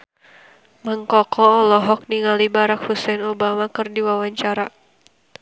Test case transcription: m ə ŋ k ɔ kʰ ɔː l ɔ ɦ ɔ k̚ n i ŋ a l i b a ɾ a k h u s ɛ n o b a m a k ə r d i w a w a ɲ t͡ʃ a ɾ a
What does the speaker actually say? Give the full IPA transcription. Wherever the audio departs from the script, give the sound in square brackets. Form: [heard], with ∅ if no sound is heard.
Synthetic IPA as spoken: m ə ŋ k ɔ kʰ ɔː l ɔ ɦ ɔ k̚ n i ŋ a l i b a ɾ a k h u s ɛ n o b a m a k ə r d i w a w a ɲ t͡ʃ a ɾ a